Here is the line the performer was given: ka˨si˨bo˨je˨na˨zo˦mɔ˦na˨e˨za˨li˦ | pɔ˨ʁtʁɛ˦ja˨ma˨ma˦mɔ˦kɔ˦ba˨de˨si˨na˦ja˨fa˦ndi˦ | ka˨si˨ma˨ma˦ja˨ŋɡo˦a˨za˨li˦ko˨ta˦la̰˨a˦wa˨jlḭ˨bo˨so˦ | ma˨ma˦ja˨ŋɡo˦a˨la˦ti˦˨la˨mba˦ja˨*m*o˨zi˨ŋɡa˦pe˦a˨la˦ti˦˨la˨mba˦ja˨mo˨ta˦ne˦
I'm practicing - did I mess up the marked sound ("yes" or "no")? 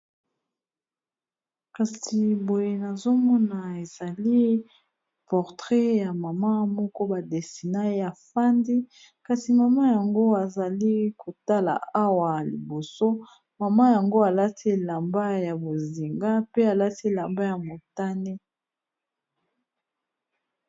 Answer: yes